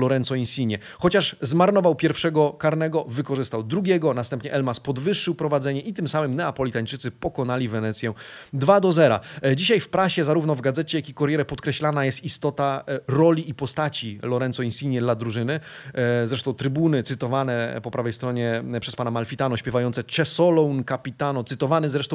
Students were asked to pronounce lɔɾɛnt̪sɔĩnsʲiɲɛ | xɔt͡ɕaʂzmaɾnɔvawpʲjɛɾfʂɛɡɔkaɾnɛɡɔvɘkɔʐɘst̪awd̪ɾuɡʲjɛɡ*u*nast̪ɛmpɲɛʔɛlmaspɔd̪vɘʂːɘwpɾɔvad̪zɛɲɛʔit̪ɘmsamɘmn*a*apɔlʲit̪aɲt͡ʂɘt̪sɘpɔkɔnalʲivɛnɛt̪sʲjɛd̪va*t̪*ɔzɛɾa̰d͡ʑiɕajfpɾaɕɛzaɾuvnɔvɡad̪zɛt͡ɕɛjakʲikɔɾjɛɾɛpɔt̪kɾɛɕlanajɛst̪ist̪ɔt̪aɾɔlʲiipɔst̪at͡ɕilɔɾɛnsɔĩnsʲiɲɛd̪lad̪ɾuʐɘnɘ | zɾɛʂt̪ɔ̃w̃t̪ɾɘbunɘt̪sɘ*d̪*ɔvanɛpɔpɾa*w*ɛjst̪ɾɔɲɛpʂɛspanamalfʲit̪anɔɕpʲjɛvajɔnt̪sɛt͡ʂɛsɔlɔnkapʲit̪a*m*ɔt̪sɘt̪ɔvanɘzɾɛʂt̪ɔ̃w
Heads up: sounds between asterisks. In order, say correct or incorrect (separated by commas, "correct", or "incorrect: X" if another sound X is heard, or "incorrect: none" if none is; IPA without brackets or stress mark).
incorrect: ɔ, incorrect: ɛ, incorrect: d̪, incorrect: t̪, incorrect: v, incorrect: n